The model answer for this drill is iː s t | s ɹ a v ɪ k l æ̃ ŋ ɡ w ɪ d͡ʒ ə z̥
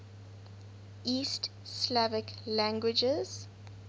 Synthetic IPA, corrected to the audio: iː s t | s l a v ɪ k l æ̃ ŋ ɡ w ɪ d͡ʒ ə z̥